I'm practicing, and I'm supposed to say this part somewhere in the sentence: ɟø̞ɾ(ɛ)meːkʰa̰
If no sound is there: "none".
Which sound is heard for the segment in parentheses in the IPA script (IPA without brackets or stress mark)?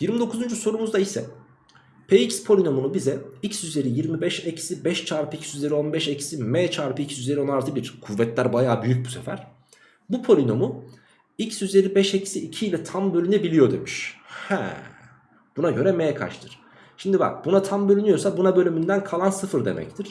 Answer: ɛ